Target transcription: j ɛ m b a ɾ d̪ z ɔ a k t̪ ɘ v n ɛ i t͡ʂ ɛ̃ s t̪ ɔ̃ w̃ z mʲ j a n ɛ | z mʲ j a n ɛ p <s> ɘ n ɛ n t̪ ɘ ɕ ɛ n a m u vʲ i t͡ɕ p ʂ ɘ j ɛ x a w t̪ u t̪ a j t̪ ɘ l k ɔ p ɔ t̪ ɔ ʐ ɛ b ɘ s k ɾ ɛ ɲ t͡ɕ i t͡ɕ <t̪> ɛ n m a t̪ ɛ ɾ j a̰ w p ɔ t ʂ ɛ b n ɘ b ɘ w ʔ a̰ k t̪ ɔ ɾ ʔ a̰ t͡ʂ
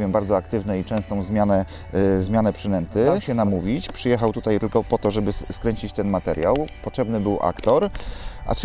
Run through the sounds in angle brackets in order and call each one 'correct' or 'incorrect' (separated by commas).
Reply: incorrect, correct